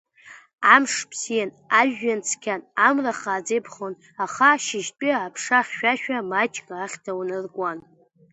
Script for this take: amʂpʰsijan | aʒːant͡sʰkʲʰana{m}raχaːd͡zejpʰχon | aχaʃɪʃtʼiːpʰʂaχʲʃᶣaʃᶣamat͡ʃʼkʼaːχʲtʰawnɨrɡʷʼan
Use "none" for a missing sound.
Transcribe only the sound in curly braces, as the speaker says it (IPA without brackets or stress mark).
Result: m